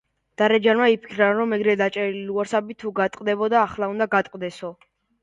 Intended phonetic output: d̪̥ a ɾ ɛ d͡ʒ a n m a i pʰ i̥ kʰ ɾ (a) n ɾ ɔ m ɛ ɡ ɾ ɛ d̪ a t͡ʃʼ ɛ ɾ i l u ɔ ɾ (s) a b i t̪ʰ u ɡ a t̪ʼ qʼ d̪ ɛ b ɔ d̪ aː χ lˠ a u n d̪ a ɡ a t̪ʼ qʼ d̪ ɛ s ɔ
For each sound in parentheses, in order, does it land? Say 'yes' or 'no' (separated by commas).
yes, yes